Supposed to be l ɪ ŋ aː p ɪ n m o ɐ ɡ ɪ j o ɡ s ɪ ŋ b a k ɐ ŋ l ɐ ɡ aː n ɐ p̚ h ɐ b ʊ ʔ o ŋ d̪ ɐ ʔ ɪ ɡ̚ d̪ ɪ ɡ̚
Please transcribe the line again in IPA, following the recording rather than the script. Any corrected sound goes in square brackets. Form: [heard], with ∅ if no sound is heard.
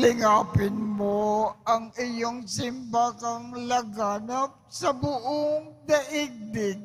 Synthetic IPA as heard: l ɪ ŋ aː p ɪ n m o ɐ [ŋ] ɪ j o [ŋ] s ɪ [m] b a k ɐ ŋ l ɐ ɡ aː n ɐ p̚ [s] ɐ b ʊ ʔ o ŋ d̪ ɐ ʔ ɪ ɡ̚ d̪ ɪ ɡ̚

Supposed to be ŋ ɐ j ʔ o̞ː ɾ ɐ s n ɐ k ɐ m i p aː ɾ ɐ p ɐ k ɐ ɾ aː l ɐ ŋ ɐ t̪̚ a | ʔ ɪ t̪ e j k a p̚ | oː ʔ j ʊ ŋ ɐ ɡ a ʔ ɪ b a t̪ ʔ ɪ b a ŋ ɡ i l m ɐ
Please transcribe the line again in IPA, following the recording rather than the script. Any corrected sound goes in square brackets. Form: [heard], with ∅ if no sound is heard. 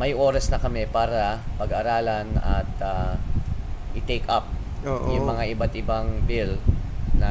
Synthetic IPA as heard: [m] ɐ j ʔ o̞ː ɾ ɐ s n ɐ k ɐ m [ɛ] p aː ɾ ɐ p ɐ [ɡ] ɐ ɾ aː l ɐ [n] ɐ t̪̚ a | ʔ ɪ t̪ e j k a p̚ | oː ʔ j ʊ [m] ɐ [ŋ] a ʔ ɪ b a t̪ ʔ ɪ b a ŋ [b] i l [n] ɐ

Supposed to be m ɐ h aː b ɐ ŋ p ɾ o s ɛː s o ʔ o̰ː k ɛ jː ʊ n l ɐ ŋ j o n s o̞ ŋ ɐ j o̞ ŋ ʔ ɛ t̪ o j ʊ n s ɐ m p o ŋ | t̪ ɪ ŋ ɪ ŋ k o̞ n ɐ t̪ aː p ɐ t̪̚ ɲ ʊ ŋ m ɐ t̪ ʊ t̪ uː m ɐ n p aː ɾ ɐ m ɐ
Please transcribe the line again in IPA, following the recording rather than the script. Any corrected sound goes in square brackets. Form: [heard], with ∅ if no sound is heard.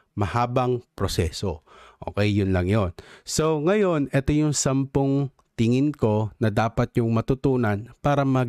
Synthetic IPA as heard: m ɐ h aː b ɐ ŋ p ɾ o s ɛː s o ʔ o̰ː k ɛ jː ʊ n l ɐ ŋ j o n s o̞ ŋ ɐ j o̞ [n] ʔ ɛ t̪ o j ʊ [ŋ] s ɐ m p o ŋ | t̪ ɪ ŋ ɪ [n] k o̞ n ɐ [d̪] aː p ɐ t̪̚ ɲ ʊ ŋ m ɐ t̪ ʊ t̪ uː [n] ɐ n p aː ɾ ɐ m ɐ

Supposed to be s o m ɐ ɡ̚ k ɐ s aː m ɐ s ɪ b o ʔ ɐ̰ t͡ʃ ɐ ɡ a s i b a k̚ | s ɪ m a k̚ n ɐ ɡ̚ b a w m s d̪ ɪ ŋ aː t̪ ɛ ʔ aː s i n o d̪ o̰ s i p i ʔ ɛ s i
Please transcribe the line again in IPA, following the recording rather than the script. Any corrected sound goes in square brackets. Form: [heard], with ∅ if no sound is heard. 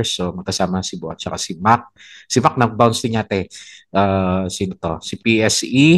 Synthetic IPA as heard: s o m ɐ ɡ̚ k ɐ s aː m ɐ s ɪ b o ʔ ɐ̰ t͡ʃ ɐ [k] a s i [m] a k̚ | s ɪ m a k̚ n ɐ ɡ̚ b a w [n] s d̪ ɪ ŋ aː t̪ ɛ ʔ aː s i n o [t̪] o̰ s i p i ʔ ɛ s i

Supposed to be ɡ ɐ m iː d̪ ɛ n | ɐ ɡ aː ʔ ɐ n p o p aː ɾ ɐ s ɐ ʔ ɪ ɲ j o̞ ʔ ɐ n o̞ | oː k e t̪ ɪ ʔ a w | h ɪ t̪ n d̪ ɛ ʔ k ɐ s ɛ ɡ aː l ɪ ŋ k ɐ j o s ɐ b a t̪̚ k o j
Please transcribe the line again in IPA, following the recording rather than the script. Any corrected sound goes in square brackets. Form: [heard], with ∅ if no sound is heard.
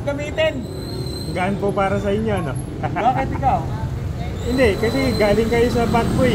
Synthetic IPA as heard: ɡ ɐ m iː [t̪] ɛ n | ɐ ɡ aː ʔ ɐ n p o p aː ɾ ɐ s ɐ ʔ ɪ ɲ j o̞ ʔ ɐ n o̞ | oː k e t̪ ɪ [k] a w | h ɪ [∅] n d̪ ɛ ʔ k ɐ s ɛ ɡ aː l ɪ ŋ k ɐ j o s ɐ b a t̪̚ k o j

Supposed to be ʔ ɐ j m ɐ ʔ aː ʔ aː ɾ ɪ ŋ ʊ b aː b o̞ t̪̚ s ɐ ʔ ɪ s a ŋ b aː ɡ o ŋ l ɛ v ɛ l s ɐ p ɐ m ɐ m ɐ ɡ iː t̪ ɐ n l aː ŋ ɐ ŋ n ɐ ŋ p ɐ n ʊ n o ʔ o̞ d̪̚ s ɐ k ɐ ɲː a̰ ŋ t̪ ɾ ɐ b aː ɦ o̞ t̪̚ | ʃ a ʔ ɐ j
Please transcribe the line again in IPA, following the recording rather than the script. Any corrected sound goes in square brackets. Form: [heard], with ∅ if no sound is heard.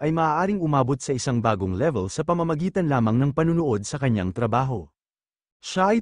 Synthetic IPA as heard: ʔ ɐ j m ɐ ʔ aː ʔ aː ɾ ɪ ŋ ʊ [m] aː b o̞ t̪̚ s ɐ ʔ ɪ s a ŋ b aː ɡ o ŋ l ɛ v ɛ l s ɐ p ɐ m ɐ m ɐ ɡ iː t̪ ɐ n l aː [m] ɐ ŋ n ɐ ŋ p ɐ n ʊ n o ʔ o̞ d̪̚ s ɐ k ɐ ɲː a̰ ŋ t̪ ɾ ɐ b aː ɦ o̞ [∅] | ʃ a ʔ ɐ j

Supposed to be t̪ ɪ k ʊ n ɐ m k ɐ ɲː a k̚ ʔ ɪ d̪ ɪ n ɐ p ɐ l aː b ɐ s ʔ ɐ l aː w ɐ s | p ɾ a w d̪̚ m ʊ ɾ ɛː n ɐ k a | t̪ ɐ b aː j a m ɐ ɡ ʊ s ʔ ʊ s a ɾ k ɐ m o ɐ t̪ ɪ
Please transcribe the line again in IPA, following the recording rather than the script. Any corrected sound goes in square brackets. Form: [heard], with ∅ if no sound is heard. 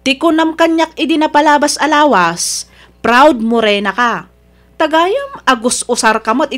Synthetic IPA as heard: t̪ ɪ k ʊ n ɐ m k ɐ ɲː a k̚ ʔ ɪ d̪ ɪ n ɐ p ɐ l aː b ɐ s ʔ ɐ l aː w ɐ s | p ɾ a w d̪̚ m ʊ ɾ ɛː n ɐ k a | t̪ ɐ [ɡ] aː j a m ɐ ɡ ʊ s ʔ ʊ s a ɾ k ɐ m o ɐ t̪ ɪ

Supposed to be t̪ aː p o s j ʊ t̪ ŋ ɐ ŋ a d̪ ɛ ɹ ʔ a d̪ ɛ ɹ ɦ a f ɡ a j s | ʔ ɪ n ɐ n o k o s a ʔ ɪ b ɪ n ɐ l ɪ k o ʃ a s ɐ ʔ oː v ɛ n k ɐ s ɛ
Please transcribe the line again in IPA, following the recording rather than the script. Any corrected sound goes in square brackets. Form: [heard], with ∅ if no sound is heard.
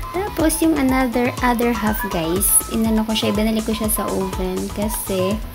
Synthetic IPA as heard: t̪ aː p o s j ʊ [∅] ŋ ɐ [n] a d̪ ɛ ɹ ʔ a d̪ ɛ ɹ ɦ a f ɡ a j s | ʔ ɪ n ɐ n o k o [ʃ] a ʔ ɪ b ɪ n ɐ l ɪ k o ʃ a s ɐ ʔ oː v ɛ n k ɐ s ɛ

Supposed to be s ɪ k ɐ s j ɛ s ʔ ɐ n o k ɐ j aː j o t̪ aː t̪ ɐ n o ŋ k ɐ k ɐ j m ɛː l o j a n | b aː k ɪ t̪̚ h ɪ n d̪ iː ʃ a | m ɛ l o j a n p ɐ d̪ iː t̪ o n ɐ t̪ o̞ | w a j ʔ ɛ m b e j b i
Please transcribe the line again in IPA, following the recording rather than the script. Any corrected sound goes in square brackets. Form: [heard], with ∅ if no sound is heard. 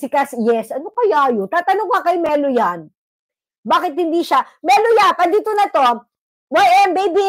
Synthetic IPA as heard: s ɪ k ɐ s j ɛ s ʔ ɐ n o k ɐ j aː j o t̪ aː t̪ ɐ n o ŋ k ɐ k ɐ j m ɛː l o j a n | b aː k ɪ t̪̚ h ɪ n d̪ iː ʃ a | m ɛ l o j a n p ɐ d̪ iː t̪ o n ɐ t̪ o̞ | w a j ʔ ɛ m b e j b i

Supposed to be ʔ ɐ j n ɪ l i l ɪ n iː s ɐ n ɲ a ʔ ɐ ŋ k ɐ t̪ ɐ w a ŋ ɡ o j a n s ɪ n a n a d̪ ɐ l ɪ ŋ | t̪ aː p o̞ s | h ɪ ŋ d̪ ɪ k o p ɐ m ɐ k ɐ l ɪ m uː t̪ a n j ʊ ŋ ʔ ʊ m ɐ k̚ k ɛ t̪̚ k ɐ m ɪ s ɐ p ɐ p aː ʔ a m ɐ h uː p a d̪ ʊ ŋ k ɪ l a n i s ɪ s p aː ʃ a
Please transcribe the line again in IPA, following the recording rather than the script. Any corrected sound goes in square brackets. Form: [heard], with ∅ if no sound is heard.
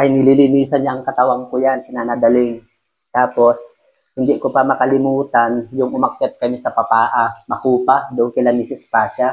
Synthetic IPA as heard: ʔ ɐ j n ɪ l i l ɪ n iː s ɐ n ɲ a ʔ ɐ ŋ k ɐ t̪ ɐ w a ŋ [k] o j a n s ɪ n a n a d̪ ɐ l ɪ ŋ | t̪ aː p o̞ s | h ɪ [n] d̪ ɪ k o p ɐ m ɐ k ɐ l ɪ m uː t̪ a n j ʊ ŋ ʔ ʊ m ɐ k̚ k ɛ t̪̚ k ɐ m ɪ s ɐ p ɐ p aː ʔ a m ɐ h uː p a d̪ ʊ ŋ k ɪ l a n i s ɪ s p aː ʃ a

